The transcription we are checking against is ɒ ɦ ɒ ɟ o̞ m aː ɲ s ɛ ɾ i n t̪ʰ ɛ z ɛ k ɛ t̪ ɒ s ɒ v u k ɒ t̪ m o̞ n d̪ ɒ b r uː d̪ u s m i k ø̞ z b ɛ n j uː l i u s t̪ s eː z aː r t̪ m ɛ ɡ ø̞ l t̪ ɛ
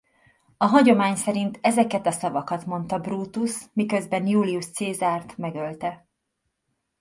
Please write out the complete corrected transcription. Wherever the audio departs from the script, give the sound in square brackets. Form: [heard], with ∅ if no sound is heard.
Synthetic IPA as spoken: ɒ ɦ ɒ ɟ o̞ m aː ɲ s ɛ ɾ i n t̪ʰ ɛ z ɛ k ɛ t̪ ɒ s ɒ v [ɒ] k ɒ t̪ m o̞ n [t̪] ɒ b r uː [t̪] u s m i k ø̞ z b ɛ n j uː l i u [ʃ] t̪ s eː z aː r t̪ m ɛ ɡ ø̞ l t̪ ɛ